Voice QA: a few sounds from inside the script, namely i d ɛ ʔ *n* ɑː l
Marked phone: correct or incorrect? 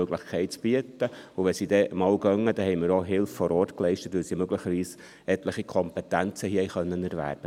incorrect